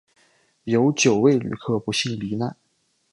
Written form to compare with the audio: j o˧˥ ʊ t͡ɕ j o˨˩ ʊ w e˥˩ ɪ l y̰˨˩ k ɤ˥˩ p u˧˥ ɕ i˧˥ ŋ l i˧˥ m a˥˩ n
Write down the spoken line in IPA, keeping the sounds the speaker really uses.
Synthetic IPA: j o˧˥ ʊ t͡ɕ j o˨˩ ʊ w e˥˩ ɪ l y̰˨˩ kʰ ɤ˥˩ p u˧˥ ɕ i˥˩ ŋ l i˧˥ n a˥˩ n